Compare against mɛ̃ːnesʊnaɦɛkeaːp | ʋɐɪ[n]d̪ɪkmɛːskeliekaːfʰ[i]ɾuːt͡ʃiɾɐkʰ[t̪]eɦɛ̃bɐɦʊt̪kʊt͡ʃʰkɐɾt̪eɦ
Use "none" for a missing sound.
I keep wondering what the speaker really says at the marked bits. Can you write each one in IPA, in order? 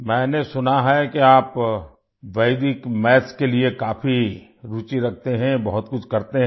none, i, t̪

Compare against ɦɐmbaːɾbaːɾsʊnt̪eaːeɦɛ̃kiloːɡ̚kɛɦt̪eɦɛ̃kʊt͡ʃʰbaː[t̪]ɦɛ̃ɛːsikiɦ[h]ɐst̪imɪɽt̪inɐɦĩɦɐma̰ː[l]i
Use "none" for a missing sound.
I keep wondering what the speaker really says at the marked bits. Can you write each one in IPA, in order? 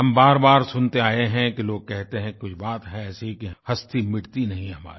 t̪, h, ɾ

